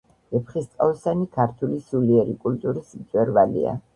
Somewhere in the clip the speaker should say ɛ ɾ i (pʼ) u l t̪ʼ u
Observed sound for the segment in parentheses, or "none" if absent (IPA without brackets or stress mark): kʼ